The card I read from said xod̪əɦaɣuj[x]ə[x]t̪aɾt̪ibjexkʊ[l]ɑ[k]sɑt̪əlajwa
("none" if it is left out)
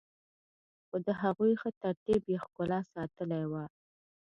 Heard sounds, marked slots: x, none, l, none

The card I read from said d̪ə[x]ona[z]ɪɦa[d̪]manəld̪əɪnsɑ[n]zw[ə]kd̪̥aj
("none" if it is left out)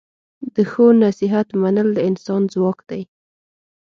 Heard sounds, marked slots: x, s, t̪, n, ɑ

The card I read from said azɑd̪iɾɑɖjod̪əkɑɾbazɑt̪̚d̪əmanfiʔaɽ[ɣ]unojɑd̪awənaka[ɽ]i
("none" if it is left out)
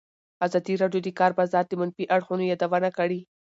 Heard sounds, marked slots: x, ɽ

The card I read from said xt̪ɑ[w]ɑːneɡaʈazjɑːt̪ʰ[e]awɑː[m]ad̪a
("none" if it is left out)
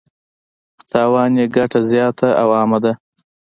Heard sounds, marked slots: w, a, m

